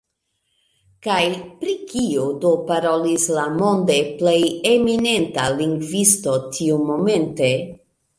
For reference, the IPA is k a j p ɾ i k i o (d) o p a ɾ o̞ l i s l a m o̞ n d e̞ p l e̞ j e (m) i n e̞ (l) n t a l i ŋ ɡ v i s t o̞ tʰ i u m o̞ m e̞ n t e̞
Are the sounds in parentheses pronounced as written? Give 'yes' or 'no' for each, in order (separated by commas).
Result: yes, yes, no